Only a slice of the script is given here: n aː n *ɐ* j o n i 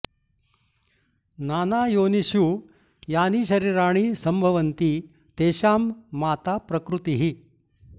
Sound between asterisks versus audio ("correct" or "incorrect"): incorrect